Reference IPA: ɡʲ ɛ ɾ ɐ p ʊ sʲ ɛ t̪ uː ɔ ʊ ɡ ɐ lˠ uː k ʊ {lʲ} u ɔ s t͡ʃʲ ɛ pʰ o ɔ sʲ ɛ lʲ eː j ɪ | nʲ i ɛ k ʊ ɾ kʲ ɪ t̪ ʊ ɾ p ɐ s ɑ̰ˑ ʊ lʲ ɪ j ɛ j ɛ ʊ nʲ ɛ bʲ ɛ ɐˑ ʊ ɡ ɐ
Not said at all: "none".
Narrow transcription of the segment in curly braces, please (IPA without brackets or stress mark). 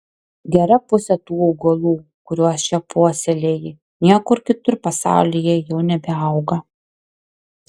ɾʲ